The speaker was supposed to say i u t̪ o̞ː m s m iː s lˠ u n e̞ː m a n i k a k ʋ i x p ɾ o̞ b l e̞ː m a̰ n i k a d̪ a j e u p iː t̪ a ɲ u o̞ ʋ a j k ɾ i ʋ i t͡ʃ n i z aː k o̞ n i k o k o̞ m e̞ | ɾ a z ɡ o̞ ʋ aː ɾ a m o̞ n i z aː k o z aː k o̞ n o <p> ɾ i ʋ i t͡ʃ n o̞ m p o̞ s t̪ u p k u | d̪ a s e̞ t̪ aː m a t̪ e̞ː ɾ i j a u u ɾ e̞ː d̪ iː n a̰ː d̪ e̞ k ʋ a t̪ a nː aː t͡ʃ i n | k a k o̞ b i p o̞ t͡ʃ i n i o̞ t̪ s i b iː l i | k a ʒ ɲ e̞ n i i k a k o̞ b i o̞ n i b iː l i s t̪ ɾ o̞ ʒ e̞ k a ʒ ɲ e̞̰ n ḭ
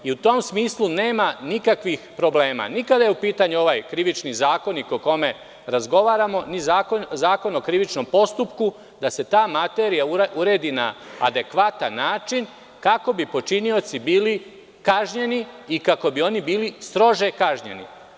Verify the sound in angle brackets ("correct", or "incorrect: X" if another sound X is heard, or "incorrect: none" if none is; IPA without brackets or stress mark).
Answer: incorrect: k